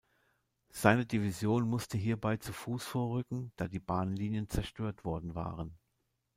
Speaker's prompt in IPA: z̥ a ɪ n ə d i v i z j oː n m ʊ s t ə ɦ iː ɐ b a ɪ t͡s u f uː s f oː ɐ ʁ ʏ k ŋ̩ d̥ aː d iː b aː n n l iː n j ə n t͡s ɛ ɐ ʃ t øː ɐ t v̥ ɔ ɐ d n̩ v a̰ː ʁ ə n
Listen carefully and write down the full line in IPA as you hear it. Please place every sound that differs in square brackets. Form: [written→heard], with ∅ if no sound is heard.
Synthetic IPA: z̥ a ɪ n ə d i v i z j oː n m ʊ s t ə ɦ iː ɐ b a ɪ t͡s u f uː s f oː ɐ ʁ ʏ k ŋ̩ d̥ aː d iː b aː n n l iː n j ə n t͡s ɛ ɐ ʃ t øː ɐ t v̥ ɔ ɐ d n̩ v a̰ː ʁ ə n

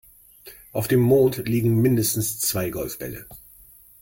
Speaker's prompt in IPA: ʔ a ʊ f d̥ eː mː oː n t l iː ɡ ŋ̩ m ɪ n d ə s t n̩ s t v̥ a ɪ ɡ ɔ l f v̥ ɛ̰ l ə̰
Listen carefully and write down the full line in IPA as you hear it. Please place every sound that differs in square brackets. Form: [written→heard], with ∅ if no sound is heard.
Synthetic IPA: ʔ a ʊ f d̥ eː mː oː n t l iː ɡ ŋ̩ m ɪ n d ə s t n̩ s [t→t͡s] v̥ a ɪ ɡ ɔ l f [v̥→b̥] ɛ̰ l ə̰

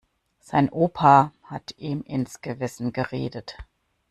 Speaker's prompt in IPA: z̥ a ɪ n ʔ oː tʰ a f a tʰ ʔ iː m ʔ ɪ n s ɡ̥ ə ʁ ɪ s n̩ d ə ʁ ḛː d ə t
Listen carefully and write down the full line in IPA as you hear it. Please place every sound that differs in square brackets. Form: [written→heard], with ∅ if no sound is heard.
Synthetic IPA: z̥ a ɪ n ʔ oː [tʰ→pʰ] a [f→h] a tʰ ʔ iː m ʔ ɪ n s ɡ̥ ə [ʁ→v] ɪ s n̩ [d→ɡ] ə ʁ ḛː d ə t

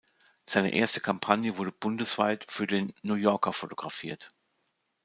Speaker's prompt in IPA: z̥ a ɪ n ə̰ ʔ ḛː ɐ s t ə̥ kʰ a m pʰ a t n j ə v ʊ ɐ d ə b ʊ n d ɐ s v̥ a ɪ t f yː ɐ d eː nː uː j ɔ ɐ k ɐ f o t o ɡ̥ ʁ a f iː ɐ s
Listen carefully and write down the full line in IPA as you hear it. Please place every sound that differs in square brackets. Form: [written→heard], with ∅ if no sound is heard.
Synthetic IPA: z̥ a ɪ n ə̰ ʔ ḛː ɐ s t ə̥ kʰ a m pʰ a [t→∅] n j ə v ʊ ɐ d ə b ʊ n d [ɐ→ə] s v̥ a ɪ t f yː ɐ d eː nː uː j ɔ ɐ k ɐ f o t o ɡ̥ ʁ a f iː ɐ [s→t]

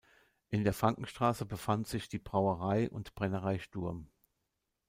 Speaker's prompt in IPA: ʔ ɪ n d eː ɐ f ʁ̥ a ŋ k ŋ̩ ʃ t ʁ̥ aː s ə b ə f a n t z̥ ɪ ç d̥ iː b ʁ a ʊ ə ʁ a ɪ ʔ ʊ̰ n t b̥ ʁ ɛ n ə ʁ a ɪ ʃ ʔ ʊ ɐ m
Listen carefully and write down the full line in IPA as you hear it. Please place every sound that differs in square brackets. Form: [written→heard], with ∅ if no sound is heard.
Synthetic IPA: ʔ ɪ n d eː ɐ f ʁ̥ a ŋ k ŋ̩ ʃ t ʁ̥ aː s ə b ə f a n t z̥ ɪ ç d̥ iː b ʁ a ʊ ə ʁ a ɪ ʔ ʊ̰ n t b̥ ʁ ɛ n ə ʁ a ɪ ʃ [ʔ→t] ʊ ɐ m

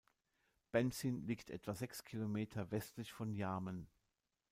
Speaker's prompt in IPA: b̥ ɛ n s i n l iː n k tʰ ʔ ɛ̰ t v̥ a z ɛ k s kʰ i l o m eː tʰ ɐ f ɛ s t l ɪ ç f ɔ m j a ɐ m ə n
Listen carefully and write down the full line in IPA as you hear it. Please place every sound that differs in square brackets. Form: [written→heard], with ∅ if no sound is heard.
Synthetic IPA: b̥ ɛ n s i n l iː [n→∅] k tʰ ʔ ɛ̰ t v̥ a z ɛ k s kʰ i l o m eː tʰ ɐ [f→v] ɛ s t l ɪ ç f ɔ [m→n] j a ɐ m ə n

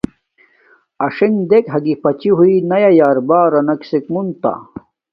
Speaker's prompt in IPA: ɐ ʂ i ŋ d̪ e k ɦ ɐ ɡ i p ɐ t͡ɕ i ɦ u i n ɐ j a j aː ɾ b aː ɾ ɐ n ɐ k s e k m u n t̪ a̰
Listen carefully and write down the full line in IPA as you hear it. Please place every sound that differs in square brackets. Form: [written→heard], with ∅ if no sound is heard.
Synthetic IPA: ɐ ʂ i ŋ d̪ e k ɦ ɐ ɡ i p ɐ t͡ɕ i ɦ u i n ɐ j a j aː ɾ b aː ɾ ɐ n ɐ k s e k m u n t̪ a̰

